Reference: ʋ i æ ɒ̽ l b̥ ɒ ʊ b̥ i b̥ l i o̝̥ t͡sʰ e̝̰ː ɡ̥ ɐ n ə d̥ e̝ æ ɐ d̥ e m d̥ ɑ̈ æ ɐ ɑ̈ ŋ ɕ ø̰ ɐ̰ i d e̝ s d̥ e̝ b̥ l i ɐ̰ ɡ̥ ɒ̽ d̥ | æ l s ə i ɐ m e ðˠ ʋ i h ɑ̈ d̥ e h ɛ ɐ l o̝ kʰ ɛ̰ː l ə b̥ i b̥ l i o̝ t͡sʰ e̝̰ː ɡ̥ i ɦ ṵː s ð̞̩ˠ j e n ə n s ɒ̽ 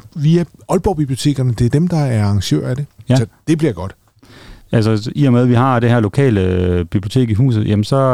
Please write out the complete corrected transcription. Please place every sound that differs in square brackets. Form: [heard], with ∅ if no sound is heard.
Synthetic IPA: ʋ i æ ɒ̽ l b̥ ɒ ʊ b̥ i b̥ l i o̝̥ t͡sʰ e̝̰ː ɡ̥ ɐ n ə d̥ e̝ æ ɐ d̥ e m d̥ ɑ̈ æ ɐ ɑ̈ ŋ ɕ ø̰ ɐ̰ [æ] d e̝ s d̥ e̝ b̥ l i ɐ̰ ɡ̥ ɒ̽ d̥ | æ l s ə i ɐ m e ðˠ ʋ i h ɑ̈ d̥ e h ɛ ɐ l o̝ kʰ ɛ̰ː l ə b̥ i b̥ l i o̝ t͡sʰ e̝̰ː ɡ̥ i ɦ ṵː s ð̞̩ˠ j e [m] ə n s ɒ̽